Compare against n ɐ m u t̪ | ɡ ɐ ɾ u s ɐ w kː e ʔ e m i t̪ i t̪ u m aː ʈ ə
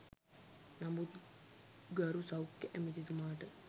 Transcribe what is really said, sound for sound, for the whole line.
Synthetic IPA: n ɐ m u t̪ | ɡ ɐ ɾ u s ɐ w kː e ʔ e m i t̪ i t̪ u m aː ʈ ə